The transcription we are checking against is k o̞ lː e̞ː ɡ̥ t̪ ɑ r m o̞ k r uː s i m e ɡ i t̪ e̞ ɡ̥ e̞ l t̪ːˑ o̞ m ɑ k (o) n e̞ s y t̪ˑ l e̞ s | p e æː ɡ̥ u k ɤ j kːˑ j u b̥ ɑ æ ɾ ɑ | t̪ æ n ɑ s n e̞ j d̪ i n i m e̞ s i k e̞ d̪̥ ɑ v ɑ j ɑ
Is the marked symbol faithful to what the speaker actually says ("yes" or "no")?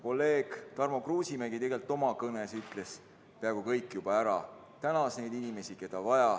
no